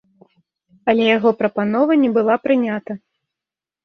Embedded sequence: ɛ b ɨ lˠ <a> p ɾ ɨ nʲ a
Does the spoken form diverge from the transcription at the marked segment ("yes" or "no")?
no